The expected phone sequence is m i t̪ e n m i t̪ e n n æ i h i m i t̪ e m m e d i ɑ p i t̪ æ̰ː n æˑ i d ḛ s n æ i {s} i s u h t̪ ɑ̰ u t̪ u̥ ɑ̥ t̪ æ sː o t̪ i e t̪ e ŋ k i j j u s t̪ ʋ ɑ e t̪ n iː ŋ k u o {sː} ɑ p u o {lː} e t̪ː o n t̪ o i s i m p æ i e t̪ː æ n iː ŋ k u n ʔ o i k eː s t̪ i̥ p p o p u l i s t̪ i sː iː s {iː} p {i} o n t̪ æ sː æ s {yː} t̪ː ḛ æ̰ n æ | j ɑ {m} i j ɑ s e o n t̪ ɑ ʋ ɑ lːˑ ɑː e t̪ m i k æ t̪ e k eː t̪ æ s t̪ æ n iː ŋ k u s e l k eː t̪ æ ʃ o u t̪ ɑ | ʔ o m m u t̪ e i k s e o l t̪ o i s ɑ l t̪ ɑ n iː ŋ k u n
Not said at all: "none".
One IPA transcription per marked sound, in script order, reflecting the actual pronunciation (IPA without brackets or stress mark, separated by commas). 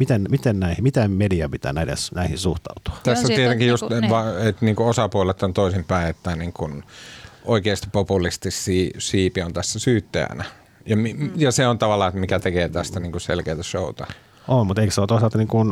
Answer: h, s, l, iː, i, yː, m